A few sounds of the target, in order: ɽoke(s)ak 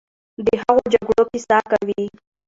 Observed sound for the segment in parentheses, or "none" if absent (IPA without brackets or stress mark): s